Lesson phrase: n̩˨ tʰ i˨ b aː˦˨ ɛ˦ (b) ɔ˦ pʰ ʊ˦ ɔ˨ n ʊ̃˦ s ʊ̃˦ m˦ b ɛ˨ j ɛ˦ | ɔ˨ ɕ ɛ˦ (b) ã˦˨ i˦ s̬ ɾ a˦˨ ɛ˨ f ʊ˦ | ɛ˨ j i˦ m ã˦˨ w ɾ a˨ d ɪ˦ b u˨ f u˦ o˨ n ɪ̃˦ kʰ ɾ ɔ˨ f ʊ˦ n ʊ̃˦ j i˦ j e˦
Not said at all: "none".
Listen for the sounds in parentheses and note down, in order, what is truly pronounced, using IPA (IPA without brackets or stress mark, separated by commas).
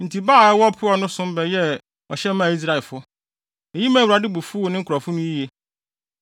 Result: w, m